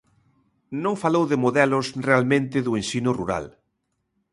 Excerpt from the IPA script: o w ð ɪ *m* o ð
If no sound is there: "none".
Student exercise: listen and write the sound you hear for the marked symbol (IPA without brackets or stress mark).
m